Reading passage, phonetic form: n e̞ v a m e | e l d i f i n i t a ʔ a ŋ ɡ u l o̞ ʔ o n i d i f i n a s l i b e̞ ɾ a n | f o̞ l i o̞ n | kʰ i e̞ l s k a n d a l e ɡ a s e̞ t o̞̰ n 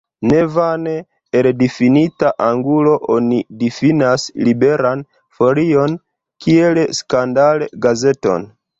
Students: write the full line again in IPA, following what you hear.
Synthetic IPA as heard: n e̞ v a n e | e l d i f i n i t a ʔ a ŋ ɡ u l o̞ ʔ o n i d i f i n a s l i b e̞ ɾ a n | f o̞ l i o̞ n | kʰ i e̞ l s k a n d a l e ɡ a z e̞ t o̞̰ n